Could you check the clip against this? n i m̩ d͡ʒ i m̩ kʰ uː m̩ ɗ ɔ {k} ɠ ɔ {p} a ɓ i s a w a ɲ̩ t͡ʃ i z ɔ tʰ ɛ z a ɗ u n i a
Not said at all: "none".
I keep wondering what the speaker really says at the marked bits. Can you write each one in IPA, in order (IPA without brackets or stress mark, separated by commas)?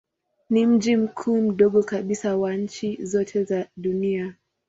none, k